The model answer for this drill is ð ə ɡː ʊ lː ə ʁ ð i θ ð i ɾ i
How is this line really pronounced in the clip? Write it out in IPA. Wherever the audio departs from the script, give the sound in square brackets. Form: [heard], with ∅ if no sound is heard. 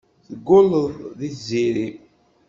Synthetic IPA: [θ] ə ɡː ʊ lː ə [ð] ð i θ [z] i ɾ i